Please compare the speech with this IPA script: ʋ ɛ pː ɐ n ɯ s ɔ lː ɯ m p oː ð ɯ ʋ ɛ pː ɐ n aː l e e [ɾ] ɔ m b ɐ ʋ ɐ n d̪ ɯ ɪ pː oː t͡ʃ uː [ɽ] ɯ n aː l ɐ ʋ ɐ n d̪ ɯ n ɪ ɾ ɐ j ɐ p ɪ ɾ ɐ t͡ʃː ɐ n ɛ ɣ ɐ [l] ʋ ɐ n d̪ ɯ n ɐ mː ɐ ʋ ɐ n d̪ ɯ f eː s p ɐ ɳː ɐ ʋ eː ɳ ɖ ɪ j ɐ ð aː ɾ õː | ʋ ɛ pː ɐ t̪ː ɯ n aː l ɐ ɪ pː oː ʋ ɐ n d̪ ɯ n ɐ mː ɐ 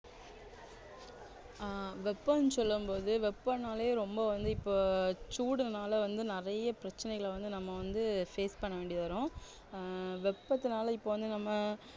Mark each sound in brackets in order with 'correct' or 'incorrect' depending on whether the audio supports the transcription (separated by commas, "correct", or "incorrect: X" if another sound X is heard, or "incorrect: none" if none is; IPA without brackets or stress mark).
correct, correct, incorrect: ɭ